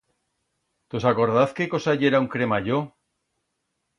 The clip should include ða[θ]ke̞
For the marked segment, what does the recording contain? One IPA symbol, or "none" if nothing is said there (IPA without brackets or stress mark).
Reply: θ